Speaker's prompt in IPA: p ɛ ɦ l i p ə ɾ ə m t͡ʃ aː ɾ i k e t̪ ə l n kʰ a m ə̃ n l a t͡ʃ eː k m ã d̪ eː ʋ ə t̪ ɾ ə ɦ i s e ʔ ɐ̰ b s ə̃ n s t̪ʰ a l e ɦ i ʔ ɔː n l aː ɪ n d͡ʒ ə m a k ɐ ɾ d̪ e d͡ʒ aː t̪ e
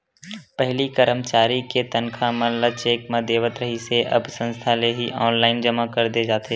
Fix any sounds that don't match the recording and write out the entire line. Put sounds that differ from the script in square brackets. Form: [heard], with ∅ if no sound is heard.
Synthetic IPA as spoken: p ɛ ɦ l i [k] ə ɾ ə m t͡ʃ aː ɾ i k e t̪ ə [∅] n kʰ a m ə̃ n l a t͡ʃ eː k m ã d̪ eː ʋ ə t̪ ɾ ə ɦ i s e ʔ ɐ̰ b s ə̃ n s t̪ʰ a l e ɦ i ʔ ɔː n l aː ɪ n d͡ʒ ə m a k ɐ ɾ d̪ e d͡ʒ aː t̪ e